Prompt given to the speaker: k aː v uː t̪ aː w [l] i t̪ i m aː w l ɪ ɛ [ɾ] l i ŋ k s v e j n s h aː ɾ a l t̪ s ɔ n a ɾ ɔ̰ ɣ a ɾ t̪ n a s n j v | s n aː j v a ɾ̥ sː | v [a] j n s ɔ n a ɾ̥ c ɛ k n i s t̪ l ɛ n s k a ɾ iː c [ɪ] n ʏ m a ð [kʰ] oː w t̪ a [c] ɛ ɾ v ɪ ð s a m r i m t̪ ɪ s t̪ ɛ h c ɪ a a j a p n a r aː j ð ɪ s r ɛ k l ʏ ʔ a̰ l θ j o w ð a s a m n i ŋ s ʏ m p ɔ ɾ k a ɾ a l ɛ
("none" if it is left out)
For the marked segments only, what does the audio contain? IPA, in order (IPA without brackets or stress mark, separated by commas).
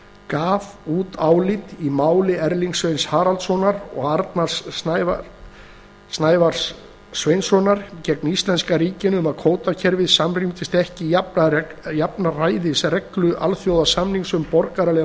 l, ɾ, e, ɪ, kʰ, cʰ